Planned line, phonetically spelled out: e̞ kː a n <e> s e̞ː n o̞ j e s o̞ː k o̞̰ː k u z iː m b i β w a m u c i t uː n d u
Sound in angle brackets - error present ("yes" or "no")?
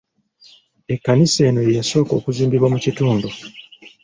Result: yes